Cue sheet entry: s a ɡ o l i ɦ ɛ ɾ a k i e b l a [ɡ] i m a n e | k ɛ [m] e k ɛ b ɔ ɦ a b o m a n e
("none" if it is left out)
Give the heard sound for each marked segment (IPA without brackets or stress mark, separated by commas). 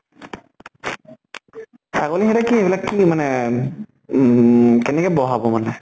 k, n